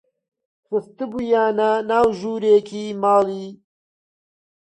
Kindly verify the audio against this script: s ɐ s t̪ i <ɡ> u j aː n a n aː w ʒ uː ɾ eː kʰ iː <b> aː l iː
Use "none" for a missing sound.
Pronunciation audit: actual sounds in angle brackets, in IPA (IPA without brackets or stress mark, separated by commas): b, m